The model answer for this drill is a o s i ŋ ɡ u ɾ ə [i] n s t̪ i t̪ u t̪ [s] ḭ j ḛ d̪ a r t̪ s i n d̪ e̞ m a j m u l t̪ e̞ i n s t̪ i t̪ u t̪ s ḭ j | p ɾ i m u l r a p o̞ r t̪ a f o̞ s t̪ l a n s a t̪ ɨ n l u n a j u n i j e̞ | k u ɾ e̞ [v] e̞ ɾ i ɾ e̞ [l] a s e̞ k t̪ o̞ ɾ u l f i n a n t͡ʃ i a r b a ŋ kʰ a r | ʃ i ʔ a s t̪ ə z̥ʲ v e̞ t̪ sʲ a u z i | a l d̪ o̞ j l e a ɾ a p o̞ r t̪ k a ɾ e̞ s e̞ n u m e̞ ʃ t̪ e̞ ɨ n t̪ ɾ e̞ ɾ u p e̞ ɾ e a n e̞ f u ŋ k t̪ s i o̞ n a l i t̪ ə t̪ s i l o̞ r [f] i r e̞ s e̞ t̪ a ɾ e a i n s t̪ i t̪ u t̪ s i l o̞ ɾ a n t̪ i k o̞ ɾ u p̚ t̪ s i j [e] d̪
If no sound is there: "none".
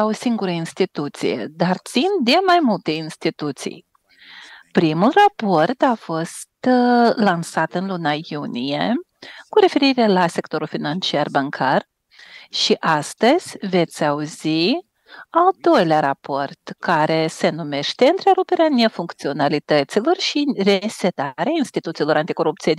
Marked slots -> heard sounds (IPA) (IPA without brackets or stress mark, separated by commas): i, s, f, l, ʃ, e